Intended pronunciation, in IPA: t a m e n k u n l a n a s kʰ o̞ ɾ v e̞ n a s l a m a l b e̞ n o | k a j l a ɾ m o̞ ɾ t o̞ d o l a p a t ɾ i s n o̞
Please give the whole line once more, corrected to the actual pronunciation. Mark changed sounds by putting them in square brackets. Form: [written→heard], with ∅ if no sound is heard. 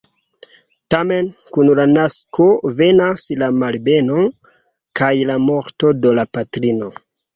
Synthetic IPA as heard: t a m e n k u n l a n a s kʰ o̞ [ɾ→∅] v e̞ n a s l a m a l b e̞ n o | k a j l a [ɾ→∅] m o̞ ɾ t o̞ d o l a p a t ɾ i [s→∅] n o̞